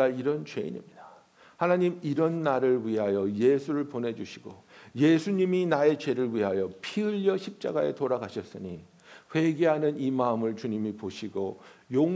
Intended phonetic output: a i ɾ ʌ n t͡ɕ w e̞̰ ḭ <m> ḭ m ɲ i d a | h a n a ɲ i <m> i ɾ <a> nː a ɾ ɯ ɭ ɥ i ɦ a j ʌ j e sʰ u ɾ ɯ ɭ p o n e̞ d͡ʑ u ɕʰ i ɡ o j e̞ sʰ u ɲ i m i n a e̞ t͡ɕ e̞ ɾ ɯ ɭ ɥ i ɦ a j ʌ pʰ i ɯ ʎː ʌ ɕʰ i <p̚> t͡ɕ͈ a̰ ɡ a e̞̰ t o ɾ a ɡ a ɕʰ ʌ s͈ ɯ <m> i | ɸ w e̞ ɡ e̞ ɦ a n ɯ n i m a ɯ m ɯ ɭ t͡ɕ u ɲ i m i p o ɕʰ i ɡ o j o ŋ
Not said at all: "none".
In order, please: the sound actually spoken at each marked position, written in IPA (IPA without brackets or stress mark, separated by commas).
ɲ, m, ʌ, p̚, ɲ